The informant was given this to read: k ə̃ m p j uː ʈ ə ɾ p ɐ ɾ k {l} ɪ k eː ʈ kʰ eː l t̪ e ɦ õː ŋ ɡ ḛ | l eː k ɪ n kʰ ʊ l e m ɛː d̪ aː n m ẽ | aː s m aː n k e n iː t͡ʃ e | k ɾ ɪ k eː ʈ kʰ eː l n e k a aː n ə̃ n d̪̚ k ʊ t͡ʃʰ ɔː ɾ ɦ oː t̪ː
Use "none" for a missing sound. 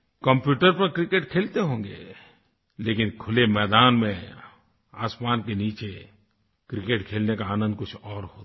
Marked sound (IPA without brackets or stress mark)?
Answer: ɾ